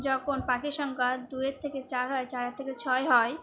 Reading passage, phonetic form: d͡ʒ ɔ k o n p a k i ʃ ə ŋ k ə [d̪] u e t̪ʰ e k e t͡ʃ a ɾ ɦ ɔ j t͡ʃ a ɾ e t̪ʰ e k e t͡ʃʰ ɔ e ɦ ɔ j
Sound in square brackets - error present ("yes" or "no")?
no